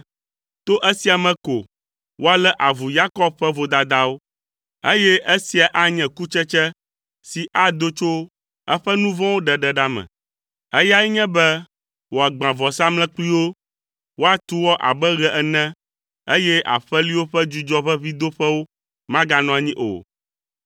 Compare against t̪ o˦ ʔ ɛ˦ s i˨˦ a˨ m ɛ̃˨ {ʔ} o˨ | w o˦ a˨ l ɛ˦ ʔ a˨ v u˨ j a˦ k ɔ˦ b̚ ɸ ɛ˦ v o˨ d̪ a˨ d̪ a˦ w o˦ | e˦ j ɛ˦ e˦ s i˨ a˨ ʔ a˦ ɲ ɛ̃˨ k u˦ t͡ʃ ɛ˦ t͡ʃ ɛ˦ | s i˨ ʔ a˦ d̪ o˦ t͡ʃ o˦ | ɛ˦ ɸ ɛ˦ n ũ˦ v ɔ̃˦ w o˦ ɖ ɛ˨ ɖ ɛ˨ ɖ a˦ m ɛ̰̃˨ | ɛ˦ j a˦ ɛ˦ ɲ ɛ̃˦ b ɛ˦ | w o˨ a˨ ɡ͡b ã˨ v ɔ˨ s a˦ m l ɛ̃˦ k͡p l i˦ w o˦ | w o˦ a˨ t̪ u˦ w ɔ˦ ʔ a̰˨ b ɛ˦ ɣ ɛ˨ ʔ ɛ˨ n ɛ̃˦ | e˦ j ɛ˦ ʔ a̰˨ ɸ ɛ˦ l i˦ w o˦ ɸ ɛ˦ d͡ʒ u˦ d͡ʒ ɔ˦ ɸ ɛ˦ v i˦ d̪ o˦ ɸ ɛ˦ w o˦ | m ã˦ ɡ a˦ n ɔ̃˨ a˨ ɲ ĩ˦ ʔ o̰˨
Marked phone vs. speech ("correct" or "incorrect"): incorrect